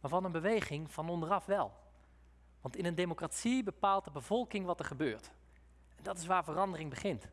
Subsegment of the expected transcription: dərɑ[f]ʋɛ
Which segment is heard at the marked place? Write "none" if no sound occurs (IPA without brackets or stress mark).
f